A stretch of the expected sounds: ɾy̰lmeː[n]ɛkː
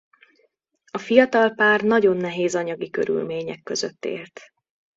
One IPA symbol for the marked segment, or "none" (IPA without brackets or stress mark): ɲ